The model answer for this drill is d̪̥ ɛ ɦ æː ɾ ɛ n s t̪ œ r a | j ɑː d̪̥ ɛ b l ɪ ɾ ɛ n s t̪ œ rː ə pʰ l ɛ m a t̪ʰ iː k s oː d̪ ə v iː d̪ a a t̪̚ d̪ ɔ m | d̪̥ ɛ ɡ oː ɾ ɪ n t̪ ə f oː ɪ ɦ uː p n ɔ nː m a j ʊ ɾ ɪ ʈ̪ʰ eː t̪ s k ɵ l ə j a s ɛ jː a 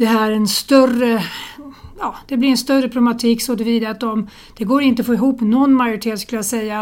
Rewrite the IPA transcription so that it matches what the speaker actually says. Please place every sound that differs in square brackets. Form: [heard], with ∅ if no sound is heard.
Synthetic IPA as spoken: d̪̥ ɛ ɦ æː ɾ ɛ n s t̪ œ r [ə] | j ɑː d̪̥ ɛ b l ɪ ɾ ɛ n s t̪ œ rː ə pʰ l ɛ m a t̪ʰ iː k s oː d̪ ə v iː d̪ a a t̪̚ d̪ ɔ m | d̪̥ ɛ ɡ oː ɾ ɪ n t̪ ə f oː ɪ ɦ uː p n ɔ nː m a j ʊ ɾ ɪ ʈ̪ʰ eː t̪ s k ɵ l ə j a s ɛ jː a